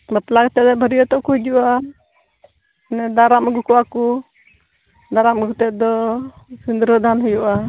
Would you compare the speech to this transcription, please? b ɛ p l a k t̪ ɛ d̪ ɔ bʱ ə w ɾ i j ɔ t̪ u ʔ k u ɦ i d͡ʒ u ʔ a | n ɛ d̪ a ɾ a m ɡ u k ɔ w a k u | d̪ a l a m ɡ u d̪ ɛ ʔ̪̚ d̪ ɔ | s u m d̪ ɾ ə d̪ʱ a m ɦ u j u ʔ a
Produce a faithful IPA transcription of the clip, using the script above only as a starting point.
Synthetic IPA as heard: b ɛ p l a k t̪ ɛ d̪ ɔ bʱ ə ɾ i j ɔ t̪ ɔ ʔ k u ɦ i d͡ʒ u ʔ a | n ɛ d̪ a ɾ a m ɡ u k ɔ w a k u | d̪ a ɾ a m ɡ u t̪ ɛ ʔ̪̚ d̪ ɔ | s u n d̪ ɾ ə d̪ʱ a n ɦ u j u ʔ a